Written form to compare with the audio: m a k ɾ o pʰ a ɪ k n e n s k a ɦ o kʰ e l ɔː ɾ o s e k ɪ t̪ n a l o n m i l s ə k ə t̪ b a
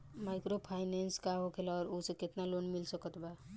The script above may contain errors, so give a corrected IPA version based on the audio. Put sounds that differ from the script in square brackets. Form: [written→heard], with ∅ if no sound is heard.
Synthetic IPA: m a k ɾ o pʰ a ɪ [k→∅] n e n s k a ɦ o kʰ e l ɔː ɾ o s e k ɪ t̪ n a l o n m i l s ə k ə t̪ b a

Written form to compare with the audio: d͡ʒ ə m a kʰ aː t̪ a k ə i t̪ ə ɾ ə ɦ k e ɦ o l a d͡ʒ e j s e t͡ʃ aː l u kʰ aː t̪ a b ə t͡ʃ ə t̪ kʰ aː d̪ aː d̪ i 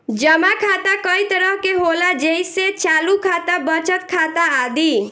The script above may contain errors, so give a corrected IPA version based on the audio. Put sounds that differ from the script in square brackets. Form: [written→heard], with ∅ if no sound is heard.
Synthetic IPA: d͡ʒ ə m a kʰ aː t̪ a k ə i t̪ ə ɾ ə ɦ k e ɦ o l a d͡ʒ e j s e t͡ʃ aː l u kʰ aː t̪ a b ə t͡ʃ ə t̪ kʰ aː [d̪→t̪] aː d̪ i

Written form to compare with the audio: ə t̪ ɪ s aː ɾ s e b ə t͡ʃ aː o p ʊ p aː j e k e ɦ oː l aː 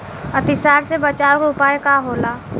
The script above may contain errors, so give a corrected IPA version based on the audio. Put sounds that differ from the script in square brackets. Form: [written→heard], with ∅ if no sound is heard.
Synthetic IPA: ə t̪ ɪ s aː ɾ s e b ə t͡ʃ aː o [p→k] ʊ p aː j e k [e→a] ɦ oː l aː

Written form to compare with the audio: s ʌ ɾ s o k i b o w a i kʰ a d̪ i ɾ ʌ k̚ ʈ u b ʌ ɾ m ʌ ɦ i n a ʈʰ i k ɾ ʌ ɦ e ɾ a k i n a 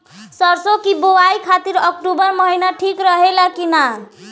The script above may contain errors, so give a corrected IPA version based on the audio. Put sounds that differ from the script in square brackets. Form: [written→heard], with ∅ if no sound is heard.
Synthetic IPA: s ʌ ɾ s o k i b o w a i kʰ a [d̪→t̪] i ɾ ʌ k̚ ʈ u b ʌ ɾ m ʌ ɦ i n a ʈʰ i k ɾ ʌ ɦ e [ɾ→l] a k i n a

